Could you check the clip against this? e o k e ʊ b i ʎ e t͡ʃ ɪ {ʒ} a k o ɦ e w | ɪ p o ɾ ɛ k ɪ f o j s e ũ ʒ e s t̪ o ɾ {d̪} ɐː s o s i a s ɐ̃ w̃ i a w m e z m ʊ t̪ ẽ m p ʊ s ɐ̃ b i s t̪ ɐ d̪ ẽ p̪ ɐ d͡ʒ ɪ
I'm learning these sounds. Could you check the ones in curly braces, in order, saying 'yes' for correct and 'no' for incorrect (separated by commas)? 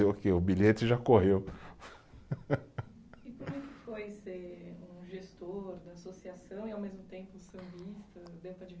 yes, yes